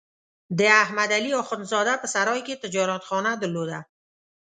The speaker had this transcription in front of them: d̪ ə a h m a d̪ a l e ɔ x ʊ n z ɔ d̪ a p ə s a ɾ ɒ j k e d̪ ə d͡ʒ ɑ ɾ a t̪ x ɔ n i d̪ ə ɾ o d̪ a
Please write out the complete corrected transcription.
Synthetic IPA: d̪ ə a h m a d̪ a l i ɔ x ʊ n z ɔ d̪ a p ə s a ɾ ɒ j k e t̪ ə d͡ʒ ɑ ɾ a t̪ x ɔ n a d̪ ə l o d̪ a